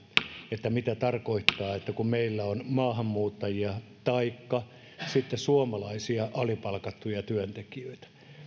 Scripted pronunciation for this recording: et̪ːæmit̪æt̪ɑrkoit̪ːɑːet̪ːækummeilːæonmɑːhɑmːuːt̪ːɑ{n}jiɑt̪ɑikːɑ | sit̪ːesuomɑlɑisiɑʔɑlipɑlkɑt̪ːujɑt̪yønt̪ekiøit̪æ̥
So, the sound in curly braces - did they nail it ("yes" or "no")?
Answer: no